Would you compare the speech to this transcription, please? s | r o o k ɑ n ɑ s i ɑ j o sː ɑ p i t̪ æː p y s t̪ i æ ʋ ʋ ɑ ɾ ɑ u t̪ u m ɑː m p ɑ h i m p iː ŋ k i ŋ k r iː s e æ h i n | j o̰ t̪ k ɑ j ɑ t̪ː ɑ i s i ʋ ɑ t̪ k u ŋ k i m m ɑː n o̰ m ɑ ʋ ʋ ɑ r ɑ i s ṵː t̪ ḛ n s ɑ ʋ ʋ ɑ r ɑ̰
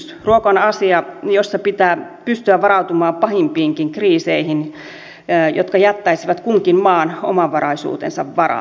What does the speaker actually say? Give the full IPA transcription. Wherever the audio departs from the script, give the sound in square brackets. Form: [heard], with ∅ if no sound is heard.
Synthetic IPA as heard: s | r [u] o k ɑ n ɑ s i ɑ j o sː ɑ p i t̪ æː p y s t̪ [y] æ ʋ ʋ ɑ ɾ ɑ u t̪ u m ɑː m p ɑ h i m p iː ŋ k i ŋ k r iː s e [i] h i n | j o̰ t̪ k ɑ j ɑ t̪ː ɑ i s i ʋ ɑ t̪ k u ŋ k i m m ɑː n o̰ m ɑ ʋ ʋ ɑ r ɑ i s ṵː t̪ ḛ n s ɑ ʋ ʋ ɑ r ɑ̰